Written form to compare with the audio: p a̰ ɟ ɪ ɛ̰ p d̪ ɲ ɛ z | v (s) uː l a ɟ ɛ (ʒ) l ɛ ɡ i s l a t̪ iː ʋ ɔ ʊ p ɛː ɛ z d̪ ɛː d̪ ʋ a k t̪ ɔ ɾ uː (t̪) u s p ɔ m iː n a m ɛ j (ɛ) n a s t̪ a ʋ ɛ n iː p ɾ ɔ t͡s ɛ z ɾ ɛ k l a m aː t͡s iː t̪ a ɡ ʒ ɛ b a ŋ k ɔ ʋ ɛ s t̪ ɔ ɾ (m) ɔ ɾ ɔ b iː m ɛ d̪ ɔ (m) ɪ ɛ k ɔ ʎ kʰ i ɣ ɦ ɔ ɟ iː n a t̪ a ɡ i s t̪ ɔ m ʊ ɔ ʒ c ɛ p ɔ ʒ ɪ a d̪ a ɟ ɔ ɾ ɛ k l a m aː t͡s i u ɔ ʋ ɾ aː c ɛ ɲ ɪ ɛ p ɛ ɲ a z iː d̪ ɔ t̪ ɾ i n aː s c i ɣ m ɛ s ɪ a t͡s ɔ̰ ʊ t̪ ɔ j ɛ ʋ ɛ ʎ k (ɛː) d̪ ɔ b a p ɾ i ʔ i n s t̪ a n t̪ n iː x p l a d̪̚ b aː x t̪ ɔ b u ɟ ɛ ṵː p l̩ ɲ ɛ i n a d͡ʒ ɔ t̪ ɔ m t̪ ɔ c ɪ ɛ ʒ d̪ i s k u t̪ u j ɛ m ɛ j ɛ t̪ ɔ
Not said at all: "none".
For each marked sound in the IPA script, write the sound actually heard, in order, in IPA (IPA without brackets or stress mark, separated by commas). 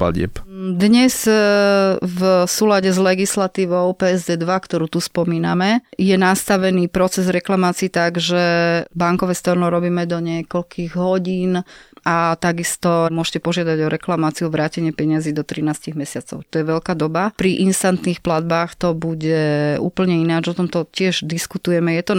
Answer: s, z, t̪, ɛ, n, ɲ, aː